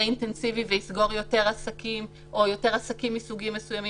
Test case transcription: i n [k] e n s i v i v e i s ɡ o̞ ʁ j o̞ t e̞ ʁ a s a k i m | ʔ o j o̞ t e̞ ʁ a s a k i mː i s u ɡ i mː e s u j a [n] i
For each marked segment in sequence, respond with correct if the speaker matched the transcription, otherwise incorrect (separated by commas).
incorrect, incorrect